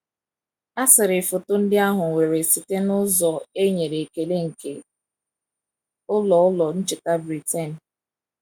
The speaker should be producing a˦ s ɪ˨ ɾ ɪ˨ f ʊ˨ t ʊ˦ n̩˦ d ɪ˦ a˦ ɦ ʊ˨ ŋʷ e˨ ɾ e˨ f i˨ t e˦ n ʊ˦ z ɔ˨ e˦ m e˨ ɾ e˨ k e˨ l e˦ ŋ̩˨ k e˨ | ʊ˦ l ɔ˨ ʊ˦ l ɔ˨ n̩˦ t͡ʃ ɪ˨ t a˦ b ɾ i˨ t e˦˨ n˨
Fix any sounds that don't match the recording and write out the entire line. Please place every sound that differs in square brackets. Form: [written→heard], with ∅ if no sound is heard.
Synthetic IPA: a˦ s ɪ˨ ɾ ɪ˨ f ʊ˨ t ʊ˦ n̩˦ d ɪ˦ a˦ ɦ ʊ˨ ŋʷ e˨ ɾ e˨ [f→s] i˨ t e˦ n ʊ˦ z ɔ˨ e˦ [m→ɲ] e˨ ɾ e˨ k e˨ l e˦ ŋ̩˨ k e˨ | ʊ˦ l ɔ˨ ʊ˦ l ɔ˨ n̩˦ t͡ʃ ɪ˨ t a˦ b ɾ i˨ t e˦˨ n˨